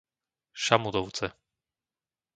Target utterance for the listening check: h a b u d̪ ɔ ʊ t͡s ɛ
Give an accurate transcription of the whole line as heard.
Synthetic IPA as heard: ʃ a m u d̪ ɔ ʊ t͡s ɛ